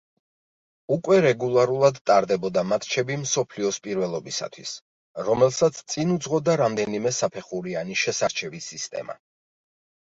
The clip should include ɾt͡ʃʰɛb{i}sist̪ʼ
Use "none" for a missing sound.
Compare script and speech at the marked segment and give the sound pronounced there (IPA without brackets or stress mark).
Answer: i